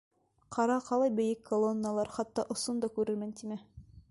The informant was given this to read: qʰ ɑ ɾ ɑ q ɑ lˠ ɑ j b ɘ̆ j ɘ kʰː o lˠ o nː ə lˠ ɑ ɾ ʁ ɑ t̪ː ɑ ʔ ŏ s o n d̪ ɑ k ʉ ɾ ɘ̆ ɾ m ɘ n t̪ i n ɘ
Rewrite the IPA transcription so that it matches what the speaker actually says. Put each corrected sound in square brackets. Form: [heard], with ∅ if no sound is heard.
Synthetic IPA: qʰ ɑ ɾ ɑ q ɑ lˠ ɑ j b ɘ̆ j ɘ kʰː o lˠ o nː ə lˠ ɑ ɾ [χ] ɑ t̪ː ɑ ʔ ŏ s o n d̪ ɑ k ʉ ɾ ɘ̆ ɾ m ɘ n t̪ i [m] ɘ

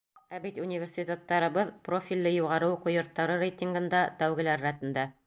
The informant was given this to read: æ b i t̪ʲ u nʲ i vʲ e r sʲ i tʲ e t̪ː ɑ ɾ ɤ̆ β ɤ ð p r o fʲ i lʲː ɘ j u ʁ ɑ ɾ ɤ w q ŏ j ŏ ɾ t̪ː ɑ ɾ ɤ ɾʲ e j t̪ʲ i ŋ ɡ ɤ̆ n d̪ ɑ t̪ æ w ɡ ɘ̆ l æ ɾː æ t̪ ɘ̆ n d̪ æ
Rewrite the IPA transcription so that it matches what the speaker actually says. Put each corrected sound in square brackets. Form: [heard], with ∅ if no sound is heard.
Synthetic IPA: æ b i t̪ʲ u nʲ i vʲ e r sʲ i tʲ e t̪ː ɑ ɾ ɤ̆ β ɤ ð p r o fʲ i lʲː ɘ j u ʁ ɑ ɾ ɤ w q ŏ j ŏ ɾ t̪ː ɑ ɾ ɤ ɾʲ e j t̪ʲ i ŋ ɡ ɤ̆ n d̪ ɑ t̪ æ w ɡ ɘ̆ l æ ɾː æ t̪ ɘ̆ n d̪ æ

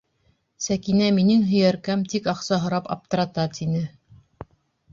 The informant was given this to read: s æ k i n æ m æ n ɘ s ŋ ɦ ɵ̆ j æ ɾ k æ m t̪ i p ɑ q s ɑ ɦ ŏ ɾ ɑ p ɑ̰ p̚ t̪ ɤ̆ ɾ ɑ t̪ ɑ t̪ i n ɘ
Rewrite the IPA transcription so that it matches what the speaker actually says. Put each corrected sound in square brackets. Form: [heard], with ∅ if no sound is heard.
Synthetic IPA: s æ k i n æ m [i] n ɘ [∅] ŋ ɦ ɵ̆ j æ ɾ k æ m t̪ i [k] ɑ q s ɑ ɦ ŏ ɾ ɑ p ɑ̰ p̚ t̪ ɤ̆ ɾ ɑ t̪ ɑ t̪ i n ɘ

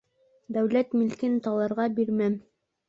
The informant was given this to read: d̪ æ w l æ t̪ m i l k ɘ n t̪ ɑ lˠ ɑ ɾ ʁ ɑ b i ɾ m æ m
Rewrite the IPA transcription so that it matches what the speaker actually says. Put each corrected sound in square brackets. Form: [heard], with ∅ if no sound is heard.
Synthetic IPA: d̪ æ w l æ t̪ m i l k ɘ n t̪ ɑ lˠ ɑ ɾ ʁ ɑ b i ɾ m æ m

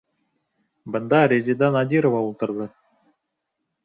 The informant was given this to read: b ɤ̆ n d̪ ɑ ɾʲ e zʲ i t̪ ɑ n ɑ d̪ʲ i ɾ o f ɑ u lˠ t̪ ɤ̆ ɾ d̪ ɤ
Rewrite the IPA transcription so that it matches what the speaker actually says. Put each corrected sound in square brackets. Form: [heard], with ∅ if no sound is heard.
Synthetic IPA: b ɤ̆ n d̪ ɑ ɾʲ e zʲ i [d̪] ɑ n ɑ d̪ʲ i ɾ o [v] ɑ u lˠ t̪ ɤ̆ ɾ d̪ ɤ

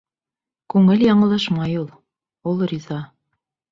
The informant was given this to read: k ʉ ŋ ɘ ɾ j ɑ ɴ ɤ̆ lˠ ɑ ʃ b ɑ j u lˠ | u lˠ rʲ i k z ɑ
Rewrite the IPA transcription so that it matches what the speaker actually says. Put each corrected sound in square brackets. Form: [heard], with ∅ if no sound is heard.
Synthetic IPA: k ʉ ŋ ɘ [l] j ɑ ɴ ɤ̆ lˠ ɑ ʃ [m] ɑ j u lˠ | u lˠ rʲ i [∅] z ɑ

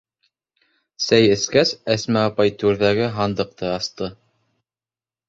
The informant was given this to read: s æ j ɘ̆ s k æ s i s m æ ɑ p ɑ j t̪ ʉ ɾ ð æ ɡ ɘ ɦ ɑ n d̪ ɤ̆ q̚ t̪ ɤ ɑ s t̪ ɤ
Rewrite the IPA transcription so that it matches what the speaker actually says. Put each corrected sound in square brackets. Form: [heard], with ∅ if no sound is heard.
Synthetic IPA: s æ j ɘ̆ s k æ s [æ] s m æ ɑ p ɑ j t̪ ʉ ɾ ð æ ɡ ɘ ɦ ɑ n d̪ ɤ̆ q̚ t̪ ɤ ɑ s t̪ ɤ

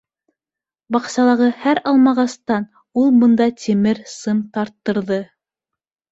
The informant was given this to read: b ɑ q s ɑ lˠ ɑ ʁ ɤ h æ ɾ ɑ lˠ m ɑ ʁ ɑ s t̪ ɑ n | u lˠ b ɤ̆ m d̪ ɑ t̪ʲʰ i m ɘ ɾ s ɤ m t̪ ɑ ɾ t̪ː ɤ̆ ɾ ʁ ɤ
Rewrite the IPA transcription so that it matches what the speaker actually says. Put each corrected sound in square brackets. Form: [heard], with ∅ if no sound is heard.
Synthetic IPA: b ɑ q s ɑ lˠ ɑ ʁ ɤ h æ ɾ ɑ lˠ m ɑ ʁ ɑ s t̪ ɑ n | u lˠ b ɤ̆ [n] d̪ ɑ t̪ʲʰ i m ɘ ɾ s ɤ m t̪ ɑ ɾ t̪ː ɤ̆ ɾ [ð] ɤ

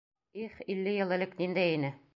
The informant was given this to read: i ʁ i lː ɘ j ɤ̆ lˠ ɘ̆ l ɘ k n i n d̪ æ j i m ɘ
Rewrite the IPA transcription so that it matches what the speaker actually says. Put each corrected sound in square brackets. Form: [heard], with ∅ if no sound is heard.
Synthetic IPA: i [χ] i lː ɘ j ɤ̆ lˠ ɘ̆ l ɘ k n i n d̪ æ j i [n] ɘ

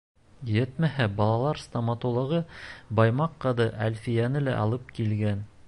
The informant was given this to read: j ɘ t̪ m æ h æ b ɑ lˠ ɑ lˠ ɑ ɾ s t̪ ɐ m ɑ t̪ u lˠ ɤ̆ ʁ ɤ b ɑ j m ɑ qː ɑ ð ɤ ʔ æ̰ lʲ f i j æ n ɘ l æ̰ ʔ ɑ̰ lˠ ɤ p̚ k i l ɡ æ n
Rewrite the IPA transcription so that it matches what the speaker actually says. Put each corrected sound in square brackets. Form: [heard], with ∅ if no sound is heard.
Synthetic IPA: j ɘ t̪ m æ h æ b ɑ lˠ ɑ lˠ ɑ ɾ s t̪ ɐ m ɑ t̪ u lˠ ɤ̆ ʁ ɤ b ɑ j m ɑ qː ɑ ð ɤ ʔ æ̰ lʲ f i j æ n ɘ l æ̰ ʔ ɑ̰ lˠ ɤ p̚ k i l ɡ æ n

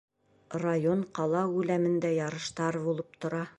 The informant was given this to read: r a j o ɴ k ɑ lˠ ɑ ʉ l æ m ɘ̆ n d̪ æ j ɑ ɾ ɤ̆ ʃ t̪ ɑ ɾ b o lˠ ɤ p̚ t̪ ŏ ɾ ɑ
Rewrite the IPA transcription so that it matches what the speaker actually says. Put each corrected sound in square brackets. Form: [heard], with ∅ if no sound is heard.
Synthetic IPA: r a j o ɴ [q] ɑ lˠ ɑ ʉ l æ m ɘ̆ n d̪ æ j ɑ ɾ ɤ̆ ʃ t̪ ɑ ɾ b [u] lˠ ɤ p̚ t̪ ŏ ɾ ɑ

